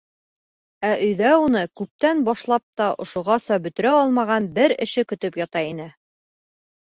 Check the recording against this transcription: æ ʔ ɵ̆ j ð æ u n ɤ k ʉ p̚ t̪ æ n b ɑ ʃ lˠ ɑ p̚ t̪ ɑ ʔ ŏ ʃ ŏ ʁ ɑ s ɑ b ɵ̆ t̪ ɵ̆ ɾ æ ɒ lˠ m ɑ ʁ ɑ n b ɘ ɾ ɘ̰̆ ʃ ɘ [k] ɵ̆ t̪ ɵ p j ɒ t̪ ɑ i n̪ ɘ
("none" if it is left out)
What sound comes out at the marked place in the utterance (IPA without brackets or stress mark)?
k